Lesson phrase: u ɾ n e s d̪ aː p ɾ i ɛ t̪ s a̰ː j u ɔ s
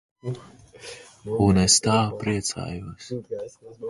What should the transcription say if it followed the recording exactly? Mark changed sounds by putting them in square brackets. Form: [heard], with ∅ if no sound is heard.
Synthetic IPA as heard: u [∅] n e s [t̪] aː p ɾ i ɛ t̪ s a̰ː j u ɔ s